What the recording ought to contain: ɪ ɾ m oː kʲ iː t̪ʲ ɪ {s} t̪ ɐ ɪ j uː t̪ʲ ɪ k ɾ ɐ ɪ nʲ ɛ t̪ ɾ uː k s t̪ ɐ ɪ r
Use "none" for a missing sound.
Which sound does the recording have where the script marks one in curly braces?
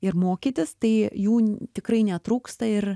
s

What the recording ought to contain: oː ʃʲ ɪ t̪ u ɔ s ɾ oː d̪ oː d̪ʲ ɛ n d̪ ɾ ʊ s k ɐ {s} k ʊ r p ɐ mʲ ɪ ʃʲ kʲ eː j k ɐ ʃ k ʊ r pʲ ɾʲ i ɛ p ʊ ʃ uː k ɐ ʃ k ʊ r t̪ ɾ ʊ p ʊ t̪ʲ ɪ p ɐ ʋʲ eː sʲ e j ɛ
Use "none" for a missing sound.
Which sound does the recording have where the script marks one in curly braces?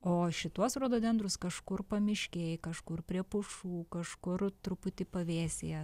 ʃ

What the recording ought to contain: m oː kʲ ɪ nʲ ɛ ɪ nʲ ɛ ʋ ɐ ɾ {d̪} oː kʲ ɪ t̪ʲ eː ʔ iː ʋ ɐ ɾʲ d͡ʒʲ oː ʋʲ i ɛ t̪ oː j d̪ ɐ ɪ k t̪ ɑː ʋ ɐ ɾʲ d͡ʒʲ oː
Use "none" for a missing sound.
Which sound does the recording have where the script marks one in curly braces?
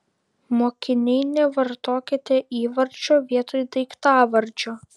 t̪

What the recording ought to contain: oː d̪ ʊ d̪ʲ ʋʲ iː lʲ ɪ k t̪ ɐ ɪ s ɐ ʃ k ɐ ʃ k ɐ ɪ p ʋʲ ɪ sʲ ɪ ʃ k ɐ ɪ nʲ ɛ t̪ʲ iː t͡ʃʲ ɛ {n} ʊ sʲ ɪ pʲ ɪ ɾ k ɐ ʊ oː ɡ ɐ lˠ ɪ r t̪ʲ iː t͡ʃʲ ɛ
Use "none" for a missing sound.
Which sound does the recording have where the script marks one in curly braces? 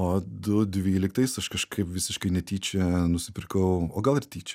n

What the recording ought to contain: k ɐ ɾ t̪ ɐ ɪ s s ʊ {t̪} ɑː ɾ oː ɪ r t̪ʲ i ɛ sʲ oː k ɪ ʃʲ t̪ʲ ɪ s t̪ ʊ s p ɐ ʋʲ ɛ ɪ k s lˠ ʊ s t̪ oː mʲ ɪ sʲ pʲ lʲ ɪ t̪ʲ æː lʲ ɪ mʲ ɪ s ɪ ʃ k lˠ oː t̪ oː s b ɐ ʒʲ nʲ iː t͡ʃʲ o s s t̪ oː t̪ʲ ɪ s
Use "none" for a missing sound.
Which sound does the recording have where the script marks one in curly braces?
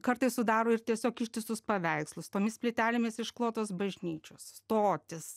d̪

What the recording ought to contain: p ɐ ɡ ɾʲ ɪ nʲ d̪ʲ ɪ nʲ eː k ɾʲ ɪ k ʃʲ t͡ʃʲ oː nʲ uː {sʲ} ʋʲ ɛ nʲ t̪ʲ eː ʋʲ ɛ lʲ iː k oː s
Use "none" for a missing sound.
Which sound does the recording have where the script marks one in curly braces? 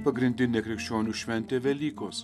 ʃʲ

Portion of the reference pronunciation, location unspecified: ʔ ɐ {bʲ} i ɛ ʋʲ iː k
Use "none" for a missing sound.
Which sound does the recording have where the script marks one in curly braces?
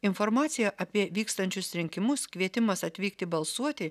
pʲ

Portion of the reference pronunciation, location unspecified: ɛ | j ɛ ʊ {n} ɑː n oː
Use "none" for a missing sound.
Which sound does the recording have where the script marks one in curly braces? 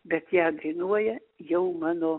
m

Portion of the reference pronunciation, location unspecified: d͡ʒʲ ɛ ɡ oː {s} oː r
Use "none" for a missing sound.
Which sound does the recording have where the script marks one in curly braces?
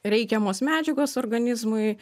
s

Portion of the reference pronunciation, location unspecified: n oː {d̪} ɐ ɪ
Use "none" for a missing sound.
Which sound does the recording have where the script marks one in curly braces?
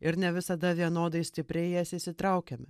d̪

